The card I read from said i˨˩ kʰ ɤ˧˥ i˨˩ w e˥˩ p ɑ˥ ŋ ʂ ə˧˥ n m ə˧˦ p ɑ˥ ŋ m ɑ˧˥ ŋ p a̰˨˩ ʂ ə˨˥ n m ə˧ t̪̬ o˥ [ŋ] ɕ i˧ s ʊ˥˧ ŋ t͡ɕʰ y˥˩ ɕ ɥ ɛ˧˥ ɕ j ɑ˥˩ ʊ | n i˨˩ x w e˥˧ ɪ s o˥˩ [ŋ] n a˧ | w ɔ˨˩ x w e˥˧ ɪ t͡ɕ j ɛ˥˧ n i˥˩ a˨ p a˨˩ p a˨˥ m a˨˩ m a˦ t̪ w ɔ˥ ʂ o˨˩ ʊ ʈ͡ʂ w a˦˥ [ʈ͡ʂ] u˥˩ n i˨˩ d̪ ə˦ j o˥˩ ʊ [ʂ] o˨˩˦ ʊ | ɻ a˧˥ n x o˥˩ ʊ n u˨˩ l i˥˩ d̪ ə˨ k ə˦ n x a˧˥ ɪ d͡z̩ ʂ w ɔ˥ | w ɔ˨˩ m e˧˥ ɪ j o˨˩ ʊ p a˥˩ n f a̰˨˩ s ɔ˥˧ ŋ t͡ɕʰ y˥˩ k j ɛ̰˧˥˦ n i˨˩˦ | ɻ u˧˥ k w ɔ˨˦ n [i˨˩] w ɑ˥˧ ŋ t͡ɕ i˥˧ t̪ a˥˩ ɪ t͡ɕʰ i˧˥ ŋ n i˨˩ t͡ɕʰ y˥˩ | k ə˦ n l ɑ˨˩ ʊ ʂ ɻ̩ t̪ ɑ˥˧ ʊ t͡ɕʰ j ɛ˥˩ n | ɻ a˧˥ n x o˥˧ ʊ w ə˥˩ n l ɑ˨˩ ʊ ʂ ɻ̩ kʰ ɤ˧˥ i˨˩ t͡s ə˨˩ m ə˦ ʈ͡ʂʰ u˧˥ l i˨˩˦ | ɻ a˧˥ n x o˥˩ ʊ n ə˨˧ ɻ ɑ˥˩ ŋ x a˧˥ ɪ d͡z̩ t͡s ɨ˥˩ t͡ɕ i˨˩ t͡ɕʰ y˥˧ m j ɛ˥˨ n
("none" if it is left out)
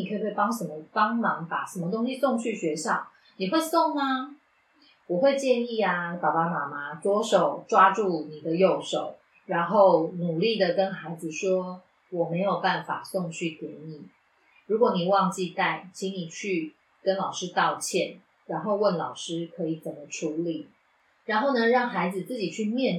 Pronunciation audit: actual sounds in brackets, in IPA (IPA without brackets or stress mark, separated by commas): ŋ, ŋ, ʈ͡ʂ, ʂ, i˨˩